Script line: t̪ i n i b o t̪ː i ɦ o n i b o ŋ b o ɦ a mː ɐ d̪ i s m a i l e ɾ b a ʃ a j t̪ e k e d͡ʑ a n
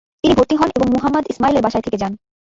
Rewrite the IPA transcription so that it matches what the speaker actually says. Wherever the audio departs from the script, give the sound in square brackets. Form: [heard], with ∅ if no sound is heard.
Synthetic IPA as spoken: t̪ i n i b o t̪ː i ɦ [ɔ] n [e] b o ŋ [m] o ɦ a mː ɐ d̪ i s m a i l e ɾ b a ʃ a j [t̪ʰ] e k e d͡ʑ a n